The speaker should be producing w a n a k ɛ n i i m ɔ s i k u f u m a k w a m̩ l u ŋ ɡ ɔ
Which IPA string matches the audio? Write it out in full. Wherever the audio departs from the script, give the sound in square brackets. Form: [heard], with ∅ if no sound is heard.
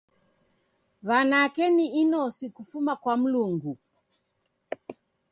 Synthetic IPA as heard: [β] a n a k ɛ n i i [n] ɔ s i k u f u m a k w a m̩ l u ŋ ɡ [u]